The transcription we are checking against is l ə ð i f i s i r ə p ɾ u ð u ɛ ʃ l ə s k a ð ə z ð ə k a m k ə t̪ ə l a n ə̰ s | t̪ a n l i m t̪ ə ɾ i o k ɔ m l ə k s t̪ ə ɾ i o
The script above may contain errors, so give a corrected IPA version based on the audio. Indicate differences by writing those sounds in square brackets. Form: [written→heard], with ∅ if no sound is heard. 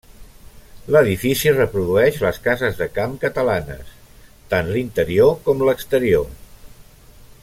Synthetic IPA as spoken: l ə ð i f i s i r ə p ɾ u ð u ɛ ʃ l ə s k a [ð→z] ə z ð ə k a m k ə t̪ ə l a n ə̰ s | t̪ a n l i [m→n] t̪ ə ɾ i o k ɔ m l ə k s t̪ ə ɾ i o

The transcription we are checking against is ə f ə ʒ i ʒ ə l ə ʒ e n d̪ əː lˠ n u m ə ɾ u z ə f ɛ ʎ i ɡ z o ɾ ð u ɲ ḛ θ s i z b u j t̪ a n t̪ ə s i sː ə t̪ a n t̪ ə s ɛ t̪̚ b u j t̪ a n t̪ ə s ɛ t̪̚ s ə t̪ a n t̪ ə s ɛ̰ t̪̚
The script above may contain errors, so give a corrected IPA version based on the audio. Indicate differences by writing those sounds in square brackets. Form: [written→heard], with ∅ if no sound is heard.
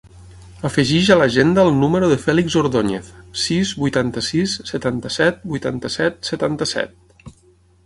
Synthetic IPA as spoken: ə f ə ʒ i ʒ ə l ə ʒ e n d̪ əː lˠ n u m ə ɾ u [z→ð] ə f ɛ [ʎ→l] i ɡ z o ɾ ð [u→o] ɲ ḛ θ s i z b u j t̪ a n t̪ ə s i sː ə t̪ a n t̪ ə s ɛ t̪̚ b u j t̪ a n t̪ ə s ɛ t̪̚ s ə t̪ a n t̪ ə s ɛ̰ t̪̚

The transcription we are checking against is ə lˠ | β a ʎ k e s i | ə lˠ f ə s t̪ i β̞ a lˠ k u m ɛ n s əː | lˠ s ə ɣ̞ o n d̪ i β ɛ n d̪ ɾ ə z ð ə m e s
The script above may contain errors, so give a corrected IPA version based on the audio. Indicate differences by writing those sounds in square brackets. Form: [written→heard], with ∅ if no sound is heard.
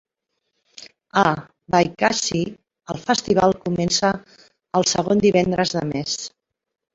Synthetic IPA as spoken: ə [lˠ→∅] | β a [ʎ→j] k [e→a] s i | ə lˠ f ə s t̪ i β̞ a lˠ k u m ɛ n s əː | lˠ s ə ɣ̞ o n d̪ i β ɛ n d̪ ɾ ə z ð ə m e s

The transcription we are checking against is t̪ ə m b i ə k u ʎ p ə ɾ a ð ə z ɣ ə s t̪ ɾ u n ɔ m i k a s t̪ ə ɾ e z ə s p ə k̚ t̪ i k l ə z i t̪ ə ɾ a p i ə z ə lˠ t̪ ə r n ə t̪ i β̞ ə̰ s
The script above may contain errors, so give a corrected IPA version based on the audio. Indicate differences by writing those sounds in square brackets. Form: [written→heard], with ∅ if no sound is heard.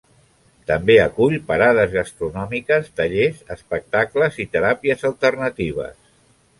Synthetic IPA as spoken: t̪ ə m b [i→e] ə k u ʎ p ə ɾ a ð ə z ɣ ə s t̪ ɾ u n ɔ m i k [a→ə] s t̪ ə [ɾ→ʎ] e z ə s p ə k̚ t̪ [i→a] k l ə z i t̪ ə ɾ a p i ə z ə lˠ t̪ ə r n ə t̪ i β̞ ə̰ s

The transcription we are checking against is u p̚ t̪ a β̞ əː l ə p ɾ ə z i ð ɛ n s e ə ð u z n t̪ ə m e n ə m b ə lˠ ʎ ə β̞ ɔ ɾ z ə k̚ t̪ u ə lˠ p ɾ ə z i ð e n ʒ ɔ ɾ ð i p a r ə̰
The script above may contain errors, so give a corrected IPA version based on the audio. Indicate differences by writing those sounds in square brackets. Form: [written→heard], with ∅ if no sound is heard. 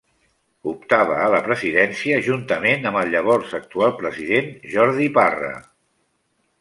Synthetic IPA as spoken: u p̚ t̪ a β̞ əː l ə p ɾ ə z i ð ɛ n s [e→i] ə [ð→ʒ] u [z→∅] n t̪ ə m e n ə m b ə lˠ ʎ ə β̞ ɔ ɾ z ə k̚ t̪ u [ə→a] lˠ p ɾ ə z i ð e n ʒ ɔ ɾ ð i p a r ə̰

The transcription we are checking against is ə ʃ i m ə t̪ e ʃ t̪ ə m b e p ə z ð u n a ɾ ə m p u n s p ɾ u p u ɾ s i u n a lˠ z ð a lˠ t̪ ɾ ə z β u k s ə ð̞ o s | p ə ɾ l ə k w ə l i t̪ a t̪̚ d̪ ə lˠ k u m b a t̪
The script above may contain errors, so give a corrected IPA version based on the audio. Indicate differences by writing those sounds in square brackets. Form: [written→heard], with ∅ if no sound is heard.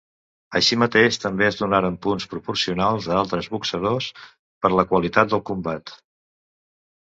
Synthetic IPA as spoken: ə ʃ i m ə t̪ e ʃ t̪ ə m b e [p→∅] ə z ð u n a ɾ ə m p u n s p ɾ u p u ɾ s i u n a lˠ z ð a lˠ t̪ ɾ ə z β u k s ə ð̞ o s | p ə ɾ l ə k w ə l i t̪ a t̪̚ d̪ ə lˠ k u m b a t̪

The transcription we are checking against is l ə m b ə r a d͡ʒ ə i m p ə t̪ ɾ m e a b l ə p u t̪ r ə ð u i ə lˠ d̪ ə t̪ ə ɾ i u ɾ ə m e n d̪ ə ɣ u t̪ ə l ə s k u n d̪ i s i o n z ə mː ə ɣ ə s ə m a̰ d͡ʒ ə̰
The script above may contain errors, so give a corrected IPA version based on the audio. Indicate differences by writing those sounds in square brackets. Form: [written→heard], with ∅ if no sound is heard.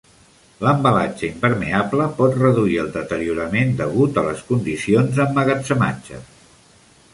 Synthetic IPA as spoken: l ə m b ə [r→l] a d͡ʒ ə i m p ə [t̪→∅] ɾ m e a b l ə p [u→ɔ] t̪ r ə ð u i ə lˠ d̪ ə t̪ ə ɾ i u ɾ ə m e n d̪ ə ɣ u t̪ ə l ə s k u n d̪ i s i o n z ə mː ə ɣ ə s ə m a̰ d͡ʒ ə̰

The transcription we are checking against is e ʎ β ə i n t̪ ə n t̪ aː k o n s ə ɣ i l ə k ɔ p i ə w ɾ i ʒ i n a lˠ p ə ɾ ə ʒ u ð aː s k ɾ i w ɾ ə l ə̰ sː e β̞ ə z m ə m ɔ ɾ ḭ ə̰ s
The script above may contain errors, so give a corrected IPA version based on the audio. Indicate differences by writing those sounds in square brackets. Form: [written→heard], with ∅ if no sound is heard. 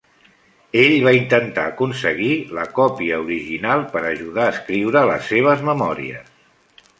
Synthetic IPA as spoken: e ʎ β [ə→a] i n t̪ ə n t̪ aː k [o→u] n s ə ɣ i l ə k ɔ p i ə [w→u] ɾ i ʒ i n a lˠ p ə ɾ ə ʒ u ð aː s k ɾ i w ɾ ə l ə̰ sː e β̞ ə z m ə m ɔ ɾ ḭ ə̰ s

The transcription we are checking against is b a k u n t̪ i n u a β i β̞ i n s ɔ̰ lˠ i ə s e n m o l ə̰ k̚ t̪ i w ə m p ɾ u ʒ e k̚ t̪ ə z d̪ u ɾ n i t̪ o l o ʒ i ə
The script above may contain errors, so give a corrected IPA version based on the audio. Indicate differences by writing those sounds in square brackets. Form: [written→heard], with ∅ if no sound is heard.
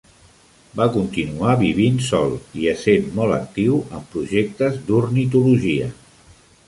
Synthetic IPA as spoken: b a k u n t̪ i n u a β i β̞ i n s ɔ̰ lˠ i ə s e n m [o→ɔ] l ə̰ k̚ t̪ i w ə m p ɾ u ʒ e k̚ t̪ ə z d̪ u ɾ n i t̪ [o→u] l [o→u] ʒ i ə

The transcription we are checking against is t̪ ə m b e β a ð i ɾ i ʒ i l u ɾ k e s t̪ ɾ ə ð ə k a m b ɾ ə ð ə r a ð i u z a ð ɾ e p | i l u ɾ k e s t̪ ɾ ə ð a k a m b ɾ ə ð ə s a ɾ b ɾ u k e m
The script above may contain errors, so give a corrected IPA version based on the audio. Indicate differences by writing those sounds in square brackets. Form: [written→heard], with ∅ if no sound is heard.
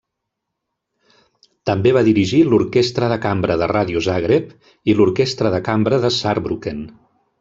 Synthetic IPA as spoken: t̪ ə m b e β a ð i ɾ i ʒ i l u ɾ k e s t̪ ɾ ə ð ə k a m b ɾ ə ð ə r a ð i u z a [ð→ɣ] ɾ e p | i l u ɾ k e s t̪ ɾ ə ð [a→ə] k a m b ɾ ə ð ə s a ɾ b ɾ u k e [m→n]

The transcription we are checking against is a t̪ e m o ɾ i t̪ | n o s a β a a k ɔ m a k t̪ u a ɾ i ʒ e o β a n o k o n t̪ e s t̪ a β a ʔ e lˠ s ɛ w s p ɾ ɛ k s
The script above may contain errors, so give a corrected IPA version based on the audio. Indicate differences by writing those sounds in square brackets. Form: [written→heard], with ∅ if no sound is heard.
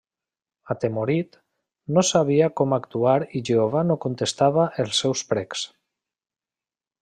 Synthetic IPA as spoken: a t̪ e m o ɾ i t̪ | n o s a β [a→i] a k ɔ m a k t̪ u a ɾ i ʒ e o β a n o k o n t̪ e s t̪ a β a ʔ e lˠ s ɛ w s p ɾ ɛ k s

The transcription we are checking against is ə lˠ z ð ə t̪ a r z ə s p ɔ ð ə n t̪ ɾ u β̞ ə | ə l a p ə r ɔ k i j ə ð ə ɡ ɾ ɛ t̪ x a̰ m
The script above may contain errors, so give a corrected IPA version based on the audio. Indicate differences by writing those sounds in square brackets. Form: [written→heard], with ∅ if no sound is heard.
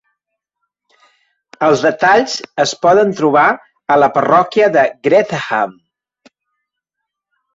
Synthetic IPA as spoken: ə lˠ z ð ə t̪ a [r→ʎ] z ə s p ɔ ð ə n t̪ ɾ u β̞ [ə→a] | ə l [a→ə] p ə r ɔ k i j ə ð ə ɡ ɾ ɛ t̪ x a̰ m

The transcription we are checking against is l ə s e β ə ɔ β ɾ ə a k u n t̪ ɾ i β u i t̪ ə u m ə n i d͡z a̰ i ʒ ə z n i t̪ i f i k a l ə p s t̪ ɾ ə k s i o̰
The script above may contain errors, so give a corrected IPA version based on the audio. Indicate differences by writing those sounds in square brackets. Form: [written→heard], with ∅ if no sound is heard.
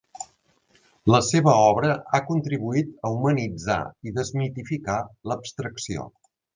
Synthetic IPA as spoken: l ə s e β ə ɔ β ɾ ə a k u n t̪ ɾ i β u i t̪ ə u m ə n i d͡z a̰ i [ʒ→ð] ə z [n→m] i t̪ i f i k a l ə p s t̪ ɾ ə k s i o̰

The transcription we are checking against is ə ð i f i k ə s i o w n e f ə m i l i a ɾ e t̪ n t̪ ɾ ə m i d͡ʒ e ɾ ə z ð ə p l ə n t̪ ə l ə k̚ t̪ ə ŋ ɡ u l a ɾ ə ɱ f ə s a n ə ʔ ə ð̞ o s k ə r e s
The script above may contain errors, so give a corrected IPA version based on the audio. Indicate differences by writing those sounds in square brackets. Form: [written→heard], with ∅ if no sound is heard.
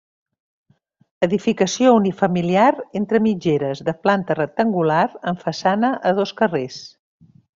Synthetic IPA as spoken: ə ð i f i k ə s i o [w→u] n [e→i] f ə m i l i a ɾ e [t̪→∅] n t̪ ɾ ə m i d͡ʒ e ɾ ə z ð ə p l [ə→a] n t̪ ə [l→r] ə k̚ t̪ ə ŋ ɡ u l a ɾ ə ɱ f ə s a n ə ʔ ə ð̞ o s k ə r e s

